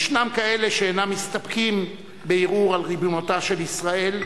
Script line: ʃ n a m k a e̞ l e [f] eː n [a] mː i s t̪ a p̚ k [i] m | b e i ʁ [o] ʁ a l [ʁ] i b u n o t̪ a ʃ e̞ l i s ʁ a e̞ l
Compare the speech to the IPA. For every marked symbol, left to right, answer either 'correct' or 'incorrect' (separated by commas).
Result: incorrect, correct, correct, incorrect, correct